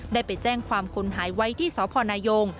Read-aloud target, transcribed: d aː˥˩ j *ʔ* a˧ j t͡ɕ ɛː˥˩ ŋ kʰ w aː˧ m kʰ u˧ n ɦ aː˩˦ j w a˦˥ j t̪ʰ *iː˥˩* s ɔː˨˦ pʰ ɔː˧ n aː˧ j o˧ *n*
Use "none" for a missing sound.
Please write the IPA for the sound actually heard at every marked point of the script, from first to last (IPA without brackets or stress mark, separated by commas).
p, iː˥˩, ŋ